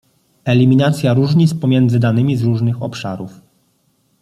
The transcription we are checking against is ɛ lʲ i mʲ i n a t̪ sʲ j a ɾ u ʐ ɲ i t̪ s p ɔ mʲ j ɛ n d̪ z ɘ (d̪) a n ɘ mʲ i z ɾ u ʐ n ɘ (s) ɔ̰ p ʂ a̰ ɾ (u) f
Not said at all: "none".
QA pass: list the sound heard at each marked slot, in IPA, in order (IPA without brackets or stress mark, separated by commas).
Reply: d̪, x, u